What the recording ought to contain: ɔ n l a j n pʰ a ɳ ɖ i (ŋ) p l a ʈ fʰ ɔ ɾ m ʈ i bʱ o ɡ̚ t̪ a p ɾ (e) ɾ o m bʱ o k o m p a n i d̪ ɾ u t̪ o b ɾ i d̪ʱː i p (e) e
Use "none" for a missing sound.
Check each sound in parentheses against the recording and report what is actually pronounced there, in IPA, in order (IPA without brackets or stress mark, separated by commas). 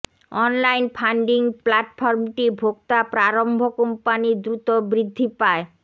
ŋ, a, a